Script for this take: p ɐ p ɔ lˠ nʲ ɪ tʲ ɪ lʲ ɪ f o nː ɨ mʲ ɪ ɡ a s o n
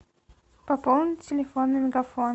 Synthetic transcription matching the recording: p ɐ p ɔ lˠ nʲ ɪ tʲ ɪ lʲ ɪ f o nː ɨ mʲ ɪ ɡ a f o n